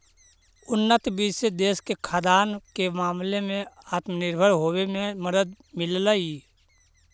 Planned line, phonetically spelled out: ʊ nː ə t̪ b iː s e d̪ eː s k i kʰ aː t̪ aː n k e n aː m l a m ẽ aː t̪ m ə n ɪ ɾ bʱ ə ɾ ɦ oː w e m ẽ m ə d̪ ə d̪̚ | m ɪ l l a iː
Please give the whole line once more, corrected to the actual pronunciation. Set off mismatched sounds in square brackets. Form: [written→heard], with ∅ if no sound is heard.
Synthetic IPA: ʊ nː ə t̪ b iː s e d̪ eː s k [i→e] kʰ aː [t̪→d̪] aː n k e [n→m] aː m l [a→e] m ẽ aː t̪ m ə n ɪ ɾ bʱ ə ɾ ɦ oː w e m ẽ m ə d̪ ə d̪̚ | m ɪ l l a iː

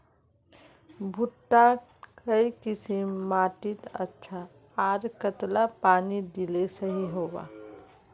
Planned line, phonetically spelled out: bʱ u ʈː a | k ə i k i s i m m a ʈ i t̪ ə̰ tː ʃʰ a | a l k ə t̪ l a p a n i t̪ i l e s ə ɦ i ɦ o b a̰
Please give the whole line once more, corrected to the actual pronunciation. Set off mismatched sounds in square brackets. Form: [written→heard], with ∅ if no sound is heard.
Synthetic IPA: bʱ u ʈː a | k ə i k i s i m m a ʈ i t̪ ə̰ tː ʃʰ a | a [l→ɾ] k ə t̪ l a p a n i [t̪→d̪] i l e s ə ɦ i ɦ o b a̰

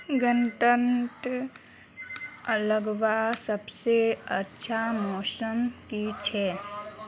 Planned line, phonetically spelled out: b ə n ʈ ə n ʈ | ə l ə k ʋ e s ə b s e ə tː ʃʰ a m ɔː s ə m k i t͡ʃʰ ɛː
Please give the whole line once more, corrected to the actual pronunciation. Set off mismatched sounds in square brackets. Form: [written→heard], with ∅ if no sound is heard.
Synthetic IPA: [b→ɡ] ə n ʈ ə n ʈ | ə l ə [k→ɡ] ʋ [e→a] s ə b s e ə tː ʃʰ a m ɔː s ə m k i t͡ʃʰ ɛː

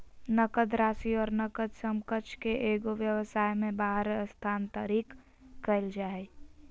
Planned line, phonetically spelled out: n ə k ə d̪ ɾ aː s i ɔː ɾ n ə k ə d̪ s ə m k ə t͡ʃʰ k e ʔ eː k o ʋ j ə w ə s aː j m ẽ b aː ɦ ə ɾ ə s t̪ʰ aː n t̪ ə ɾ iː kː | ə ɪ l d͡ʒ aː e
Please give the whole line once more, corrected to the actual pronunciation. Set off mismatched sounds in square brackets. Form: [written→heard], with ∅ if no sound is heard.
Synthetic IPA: n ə k ə d̪ ɾ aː s i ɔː ɾ n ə k ə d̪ s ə m k ə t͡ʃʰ k e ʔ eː [k→ɡ] o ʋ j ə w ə s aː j m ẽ b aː ɦ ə ɾ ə s t̪ʰ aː n t̪ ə ɾ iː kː | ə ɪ l d͡ʒ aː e

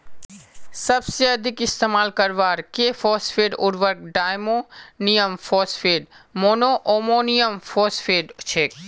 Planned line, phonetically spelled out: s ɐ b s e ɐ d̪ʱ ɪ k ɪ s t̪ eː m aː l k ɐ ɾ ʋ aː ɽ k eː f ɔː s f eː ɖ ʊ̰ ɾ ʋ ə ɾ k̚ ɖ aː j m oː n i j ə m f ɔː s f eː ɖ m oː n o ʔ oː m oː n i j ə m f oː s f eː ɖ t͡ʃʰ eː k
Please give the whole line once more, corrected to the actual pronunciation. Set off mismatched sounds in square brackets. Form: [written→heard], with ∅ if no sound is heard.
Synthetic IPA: s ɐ b s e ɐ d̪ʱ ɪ k ɪ s t̪ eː m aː l k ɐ ɾ ʋ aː [ɽ→ɾ] k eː f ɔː s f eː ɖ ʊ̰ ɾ ʋ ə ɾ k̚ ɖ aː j m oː n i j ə m f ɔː s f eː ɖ m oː n o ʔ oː m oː n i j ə m f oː s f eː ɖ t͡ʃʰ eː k

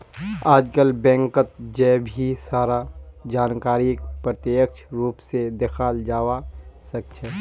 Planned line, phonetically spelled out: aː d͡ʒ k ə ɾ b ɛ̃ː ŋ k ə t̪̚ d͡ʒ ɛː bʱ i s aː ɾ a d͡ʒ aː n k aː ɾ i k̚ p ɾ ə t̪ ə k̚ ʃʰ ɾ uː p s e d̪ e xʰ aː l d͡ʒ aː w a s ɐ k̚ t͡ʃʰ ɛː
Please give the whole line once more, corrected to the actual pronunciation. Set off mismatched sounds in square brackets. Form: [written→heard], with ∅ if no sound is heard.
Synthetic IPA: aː d͡ʒ k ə [ɾ→l] b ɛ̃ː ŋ k ə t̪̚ d͡ʒ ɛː bʱ i s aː ɾ a d͡ʒ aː n k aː ɾ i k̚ p ɾ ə t̪ ə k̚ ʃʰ ɾ uː p s e d̪ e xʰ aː l d͡ʒ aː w a s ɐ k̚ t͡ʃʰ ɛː

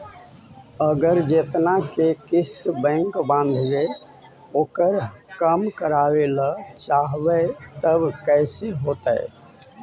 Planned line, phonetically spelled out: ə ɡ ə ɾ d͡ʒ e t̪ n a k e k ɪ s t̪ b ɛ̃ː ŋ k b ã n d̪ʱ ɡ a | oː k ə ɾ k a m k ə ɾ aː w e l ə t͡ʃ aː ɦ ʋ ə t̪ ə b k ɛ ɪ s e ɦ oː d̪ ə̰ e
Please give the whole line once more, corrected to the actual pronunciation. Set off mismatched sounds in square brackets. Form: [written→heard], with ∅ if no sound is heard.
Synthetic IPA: ə ɡ ə ɾ d͡ʒ e t̪ n a k e k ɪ s t̪ b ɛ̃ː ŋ k b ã n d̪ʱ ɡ [a→e] | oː k ə ɾ k [a→ə] m k ə ɾ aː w e l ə t͡ʃ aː ɦ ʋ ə t̪ ə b k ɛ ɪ s e ɦ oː [d̪→t̪] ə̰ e

